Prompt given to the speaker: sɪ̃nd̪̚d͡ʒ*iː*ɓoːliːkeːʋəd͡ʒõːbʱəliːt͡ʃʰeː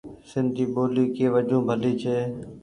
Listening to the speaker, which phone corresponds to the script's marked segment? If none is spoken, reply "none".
iː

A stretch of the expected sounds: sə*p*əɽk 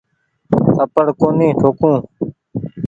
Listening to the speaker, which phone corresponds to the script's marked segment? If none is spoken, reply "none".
p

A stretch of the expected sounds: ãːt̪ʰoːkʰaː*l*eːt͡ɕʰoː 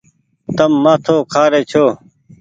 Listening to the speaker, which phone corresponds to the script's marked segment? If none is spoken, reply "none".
ɾ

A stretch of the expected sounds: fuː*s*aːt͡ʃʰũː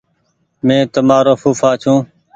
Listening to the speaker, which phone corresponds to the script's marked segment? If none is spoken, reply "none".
f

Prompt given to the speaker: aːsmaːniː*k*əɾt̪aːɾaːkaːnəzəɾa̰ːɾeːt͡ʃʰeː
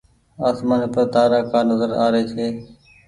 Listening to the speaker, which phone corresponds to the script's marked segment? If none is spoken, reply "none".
p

